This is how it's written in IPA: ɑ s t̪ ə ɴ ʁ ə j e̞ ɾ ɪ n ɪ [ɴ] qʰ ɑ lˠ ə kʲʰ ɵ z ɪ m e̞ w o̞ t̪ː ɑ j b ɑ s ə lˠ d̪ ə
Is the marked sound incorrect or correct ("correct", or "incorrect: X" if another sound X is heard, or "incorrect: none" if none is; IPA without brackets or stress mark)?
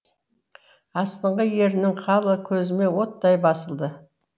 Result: incorrect: ŋ